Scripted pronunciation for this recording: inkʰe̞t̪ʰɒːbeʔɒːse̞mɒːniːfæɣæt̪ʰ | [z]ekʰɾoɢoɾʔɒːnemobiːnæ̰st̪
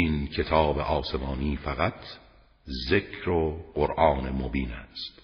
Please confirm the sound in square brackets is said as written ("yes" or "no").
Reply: yes